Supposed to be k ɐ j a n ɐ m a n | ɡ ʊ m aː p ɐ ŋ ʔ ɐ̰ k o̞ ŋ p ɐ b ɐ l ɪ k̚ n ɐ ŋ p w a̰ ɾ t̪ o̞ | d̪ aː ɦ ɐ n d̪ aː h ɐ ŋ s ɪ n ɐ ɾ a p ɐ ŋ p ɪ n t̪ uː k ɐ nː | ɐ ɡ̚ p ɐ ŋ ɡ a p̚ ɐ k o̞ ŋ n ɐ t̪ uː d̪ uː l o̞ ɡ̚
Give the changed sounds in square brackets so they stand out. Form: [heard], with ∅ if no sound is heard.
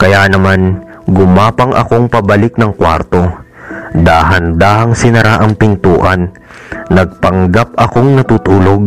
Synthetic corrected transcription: k ɐ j a n ɐ m a n | ɡ ʊ m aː p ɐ ŋ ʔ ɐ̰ k o̞ ŋ p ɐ b ɐ l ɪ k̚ n ɐ ŋ [k] w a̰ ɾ t̪ o̞ | d̪ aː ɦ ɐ n d̪ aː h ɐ ŋ s ɪ n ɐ ɾ a [ʔ] ɐ ŋ p ɪ n t̪ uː [ʔ] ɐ nː | ɐ ɡ̚ p ɐ ŋ ɡ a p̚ ɐ k o̞ ŋ n ɐ t̪ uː [t̪] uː l o̞ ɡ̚